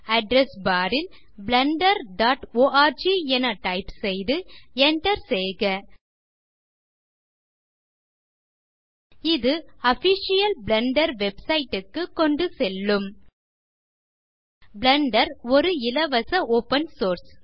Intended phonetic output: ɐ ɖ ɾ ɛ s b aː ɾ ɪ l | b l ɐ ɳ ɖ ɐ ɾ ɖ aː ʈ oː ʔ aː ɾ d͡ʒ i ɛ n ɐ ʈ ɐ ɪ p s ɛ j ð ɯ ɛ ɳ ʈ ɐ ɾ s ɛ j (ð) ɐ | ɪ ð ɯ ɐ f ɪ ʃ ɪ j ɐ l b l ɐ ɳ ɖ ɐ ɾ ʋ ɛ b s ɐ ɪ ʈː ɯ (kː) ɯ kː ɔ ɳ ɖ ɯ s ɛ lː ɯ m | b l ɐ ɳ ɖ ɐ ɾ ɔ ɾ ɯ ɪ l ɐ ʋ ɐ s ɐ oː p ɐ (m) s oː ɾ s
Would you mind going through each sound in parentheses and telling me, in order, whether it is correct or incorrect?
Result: incorrect: ɣ, correct, incorrect: n

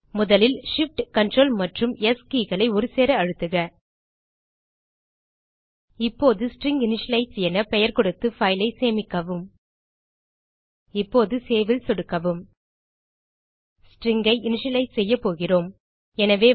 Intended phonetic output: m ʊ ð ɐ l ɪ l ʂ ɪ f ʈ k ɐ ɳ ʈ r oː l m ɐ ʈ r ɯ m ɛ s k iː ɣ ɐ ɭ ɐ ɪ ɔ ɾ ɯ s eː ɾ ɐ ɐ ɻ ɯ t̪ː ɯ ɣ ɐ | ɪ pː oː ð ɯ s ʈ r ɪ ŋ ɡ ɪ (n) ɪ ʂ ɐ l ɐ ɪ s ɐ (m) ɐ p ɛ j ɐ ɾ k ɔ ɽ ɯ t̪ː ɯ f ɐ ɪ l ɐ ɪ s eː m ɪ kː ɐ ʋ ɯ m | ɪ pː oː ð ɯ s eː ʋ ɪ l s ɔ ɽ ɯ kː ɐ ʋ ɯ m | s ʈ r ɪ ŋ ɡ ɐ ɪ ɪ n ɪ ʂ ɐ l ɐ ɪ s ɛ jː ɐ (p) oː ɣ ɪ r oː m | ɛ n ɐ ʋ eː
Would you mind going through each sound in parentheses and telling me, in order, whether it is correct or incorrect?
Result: correct, incorrect: n, correct

